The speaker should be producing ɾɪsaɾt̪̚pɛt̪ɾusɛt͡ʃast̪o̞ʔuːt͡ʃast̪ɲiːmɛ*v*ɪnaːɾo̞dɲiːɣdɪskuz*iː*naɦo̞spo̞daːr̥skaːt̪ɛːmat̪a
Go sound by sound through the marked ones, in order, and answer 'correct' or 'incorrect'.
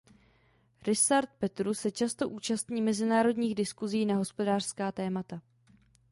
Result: incorrect: z, correct

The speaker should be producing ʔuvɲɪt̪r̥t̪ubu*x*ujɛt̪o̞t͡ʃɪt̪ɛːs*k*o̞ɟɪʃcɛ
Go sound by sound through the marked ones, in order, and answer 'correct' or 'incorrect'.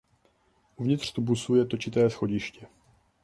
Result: incorrect: s, incorrect: x

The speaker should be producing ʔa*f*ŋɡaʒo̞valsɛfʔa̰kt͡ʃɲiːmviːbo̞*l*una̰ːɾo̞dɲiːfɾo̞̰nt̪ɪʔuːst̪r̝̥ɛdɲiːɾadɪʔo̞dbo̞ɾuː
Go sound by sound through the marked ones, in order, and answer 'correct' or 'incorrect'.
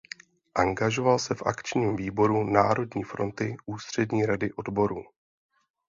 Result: incorrect: none, incorrect: ɾ

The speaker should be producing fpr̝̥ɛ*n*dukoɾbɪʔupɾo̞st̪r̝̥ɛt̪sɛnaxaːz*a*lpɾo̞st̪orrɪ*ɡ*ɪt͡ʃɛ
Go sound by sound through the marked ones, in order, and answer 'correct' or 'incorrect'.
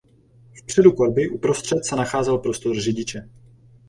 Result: incorrect: none, incorrect: ɛ, incorrect: ɟ

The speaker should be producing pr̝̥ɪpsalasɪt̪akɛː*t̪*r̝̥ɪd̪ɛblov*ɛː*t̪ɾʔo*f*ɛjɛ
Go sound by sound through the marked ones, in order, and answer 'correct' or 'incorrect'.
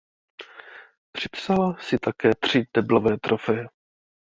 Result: correct, correct, correct

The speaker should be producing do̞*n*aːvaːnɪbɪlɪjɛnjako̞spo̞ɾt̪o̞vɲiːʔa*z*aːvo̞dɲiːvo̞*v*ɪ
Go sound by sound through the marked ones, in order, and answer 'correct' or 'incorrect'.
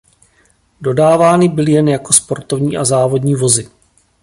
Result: incorrect: d, correct, incorrect: z

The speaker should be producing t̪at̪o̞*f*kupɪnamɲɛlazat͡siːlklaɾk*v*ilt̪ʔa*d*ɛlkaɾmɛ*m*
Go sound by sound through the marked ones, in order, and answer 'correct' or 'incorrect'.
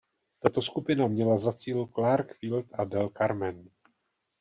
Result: incorrect: s, incorrect: f, correct, incorrect: n

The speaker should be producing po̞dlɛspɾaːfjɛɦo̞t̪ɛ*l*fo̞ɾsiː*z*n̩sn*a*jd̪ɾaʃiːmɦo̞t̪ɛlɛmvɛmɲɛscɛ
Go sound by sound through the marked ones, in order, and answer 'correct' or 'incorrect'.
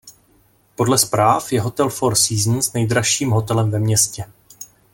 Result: correct, correct, incorrect: ɛ

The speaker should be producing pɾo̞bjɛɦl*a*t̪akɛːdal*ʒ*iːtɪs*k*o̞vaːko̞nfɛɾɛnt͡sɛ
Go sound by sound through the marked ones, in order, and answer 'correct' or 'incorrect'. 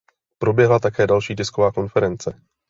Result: correct, incorrect: ʃ, correct

